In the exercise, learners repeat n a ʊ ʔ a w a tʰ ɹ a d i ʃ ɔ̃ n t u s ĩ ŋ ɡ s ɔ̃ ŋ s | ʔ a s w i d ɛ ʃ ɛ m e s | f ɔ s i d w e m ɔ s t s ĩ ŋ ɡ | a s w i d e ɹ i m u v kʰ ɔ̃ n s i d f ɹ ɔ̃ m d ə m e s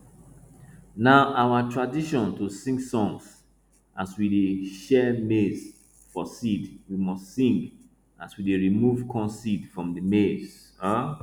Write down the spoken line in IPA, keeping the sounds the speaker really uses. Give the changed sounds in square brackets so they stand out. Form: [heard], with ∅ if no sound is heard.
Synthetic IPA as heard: n a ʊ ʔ a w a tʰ ɹ a d i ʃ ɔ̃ n t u s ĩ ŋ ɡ s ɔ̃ ŋ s | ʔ a s w i d [e] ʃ ɛ m e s | f ɔ s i d w [i] m ɔ s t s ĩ ŋ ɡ | a s w i d e ɹ i m u v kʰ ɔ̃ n s i d f ɹ ɔ̃ m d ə m e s